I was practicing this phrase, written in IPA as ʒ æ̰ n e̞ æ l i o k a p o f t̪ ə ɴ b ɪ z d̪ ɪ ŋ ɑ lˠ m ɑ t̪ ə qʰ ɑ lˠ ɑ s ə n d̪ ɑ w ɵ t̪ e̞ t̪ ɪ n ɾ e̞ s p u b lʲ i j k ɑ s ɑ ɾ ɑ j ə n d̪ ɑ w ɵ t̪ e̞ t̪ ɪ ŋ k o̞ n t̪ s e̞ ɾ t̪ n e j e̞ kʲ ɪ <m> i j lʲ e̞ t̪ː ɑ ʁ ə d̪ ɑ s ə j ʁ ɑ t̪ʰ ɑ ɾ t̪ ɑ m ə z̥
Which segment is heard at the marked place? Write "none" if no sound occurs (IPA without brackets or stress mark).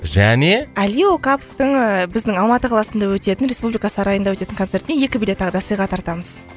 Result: b